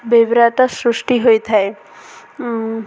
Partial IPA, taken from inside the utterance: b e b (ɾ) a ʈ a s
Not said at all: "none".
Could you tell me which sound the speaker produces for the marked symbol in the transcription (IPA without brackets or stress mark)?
ɾ